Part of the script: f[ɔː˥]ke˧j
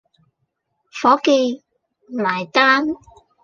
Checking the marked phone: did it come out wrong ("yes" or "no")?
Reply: yes